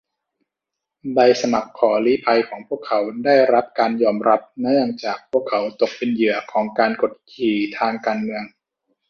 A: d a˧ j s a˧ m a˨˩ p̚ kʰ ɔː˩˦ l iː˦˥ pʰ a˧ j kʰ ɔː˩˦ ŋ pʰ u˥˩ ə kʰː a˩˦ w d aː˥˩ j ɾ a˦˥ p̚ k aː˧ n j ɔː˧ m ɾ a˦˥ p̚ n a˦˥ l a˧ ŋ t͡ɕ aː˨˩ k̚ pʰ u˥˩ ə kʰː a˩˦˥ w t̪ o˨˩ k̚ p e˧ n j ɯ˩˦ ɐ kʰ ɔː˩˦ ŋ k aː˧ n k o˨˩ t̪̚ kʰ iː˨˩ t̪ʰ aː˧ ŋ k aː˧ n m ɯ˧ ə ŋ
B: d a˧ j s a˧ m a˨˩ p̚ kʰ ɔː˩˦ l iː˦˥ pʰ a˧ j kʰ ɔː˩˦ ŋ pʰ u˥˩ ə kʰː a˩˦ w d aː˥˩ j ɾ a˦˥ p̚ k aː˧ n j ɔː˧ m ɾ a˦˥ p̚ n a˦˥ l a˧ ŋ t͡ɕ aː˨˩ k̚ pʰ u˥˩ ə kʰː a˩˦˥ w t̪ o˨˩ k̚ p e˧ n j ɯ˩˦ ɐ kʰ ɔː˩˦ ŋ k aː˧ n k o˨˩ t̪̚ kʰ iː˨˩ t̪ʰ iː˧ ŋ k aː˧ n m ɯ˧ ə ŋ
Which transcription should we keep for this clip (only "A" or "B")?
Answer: A